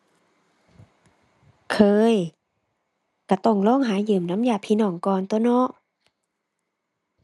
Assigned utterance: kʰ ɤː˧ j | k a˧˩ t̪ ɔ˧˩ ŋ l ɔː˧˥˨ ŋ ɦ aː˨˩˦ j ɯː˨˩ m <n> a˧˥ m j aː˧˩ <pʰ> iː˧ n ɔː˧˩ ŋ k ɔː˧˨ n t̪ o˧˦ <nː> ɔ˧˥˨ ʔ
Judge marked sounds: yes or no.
yes, yes, no

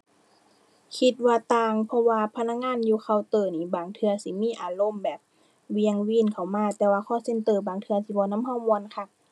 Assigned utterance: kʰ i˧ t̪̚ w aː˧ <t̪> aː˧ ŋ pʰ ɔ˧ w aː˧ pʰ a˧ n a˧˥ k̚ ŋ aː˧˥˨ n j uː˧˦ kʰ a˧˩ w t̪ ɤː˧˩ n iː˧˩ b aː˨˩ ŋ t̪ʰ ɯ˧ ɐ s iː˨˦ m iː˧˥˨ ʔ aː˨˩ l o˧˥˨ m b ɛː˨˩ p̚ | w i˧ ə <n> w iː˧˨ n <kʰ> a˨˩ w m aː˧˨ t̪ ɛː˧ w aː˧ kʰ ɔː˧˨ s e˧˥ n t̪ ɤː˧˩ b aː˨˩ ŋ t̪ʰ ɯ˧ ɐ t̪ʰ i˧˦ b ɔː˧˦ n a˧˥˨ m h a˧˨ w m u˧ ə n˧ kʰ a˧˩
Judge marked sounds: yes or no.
yes, no, yes

